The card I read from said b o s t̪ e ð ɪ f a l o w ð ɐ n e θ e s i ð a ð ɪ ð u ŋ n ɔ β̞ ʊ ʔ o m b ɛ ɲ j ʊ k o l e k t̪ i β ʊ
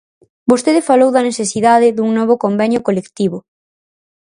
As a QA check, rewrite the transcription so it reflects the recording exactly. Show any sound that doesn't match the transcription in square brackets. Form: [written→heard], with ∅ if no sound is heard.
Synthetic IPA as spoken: b o s t̪ e ð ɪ f a l o w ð ɐ n e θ e s i ð a ð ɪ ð u ŋ n ɔ β̞ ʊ [ʔ→k] o m b ɛ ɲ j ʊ k o l e k t̪ i β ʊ